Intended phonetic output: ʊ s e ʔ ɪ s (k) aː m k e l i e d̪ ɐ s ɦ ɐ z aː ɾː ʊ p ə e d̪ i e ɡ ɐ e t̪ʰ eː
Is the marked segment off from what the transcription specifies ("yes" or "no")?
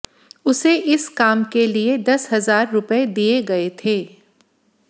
no